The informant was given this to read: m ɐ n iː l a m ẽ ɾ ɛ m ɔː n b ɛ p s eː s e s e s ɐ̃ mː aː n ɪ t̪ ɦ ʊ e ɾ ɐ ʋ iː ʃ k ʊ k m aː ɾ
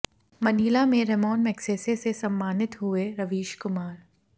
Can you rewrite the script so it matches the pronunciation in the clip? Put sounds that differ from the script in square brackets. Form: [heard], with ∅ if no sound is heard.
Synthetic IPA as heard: m ɐ n iː l a m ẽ ɾ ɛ m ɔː n [m] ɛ [k] s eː s e s e s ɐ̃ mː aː n ɪ t̪ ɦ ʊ e ɾ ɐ ʋ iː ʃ k ʊ [∅] m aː ɾ